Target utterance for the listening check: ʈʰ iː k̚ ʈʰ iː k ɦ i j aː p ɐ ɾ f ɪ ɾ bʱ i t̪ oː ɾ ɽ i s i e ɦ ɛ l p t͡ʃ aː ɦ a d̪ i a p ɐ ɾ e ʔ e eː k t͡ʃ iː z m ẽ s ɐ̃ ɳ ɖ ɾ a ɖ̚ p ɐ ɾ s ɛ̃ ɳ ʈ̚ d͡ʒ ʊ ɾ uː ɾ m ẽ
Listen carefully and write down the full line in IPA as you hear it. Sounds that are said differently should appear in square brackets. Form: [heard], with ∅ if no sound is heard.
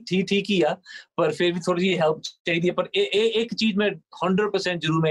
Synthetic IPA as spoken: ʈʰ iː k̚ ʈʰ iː k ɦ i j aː p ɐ ɾ f ɪ ɾ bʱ i [t̪ʰ] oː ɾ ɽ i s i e ɦ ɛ l p t͡ʃ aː ɦ [i] d̪ i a p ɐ ɾ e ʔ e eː k t͡ʃ iː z m ẽ [h] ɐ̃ ɳ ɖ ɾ [ə] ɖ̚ p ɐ ɾ s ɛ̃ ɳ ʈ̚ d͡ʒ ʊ ɾ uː ɾ m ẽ